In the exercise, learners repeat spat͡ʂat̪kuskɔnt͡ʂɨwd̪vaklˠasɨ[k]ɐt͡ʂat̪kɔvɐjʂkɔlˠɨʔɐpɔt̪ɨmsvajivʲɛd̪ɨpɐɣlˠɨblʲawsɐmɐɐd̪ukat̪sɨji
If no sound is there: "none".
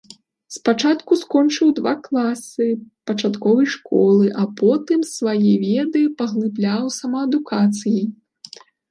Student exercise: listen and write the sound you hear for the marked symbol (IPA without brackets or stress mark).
p